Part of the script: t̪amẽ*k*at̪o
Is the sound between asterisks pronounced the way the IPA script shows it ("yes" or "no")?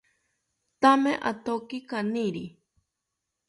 no